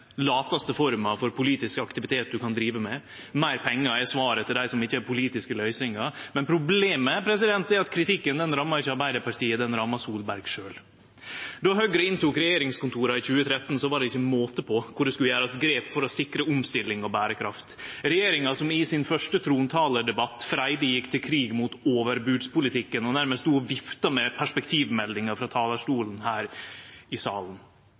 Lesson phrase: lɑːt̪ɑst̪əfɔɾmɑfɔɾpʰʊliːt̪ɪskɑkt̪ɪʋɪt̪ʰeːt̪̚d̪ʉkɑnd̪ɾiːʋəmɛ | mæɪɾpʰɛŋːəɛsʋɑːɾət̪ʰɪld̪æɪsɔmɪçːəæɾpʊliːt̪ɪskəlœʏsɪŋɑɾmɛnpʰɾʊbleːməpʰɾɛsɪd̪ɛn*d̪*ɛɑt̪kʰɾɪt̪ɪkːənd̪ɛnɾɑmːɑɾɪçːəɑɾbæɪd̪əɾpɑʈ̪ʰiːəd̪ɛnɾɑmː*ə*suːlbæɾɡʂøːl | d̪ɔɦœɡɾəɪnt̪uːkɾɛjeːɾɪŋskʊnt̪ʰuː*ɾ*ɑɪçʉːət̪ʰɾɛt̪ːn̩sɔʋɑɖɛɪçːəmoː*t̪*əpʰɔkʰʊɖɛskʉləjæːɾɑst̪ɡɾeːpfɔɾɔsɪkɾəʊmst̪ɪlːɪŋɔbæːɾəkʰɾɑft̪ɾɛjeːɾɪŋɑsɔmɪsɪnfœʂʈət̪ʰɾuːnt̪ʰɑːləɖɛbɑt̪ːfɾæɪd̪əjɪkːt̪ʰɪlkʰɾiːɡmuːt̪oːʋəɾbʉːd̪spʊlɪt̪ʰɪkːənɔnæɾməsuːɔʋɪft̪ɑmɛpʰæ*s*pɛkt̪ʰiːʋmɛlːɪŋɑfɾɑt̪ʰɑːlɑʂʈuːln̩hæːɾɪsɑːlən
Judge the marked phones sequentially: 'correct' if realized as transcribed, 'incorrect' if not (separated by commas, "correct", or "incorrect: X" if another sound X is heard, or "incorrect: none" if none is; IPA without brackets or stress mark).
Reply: incorrect: t̪, incorrect: ɑ, correct, correct, incorrect: ʂ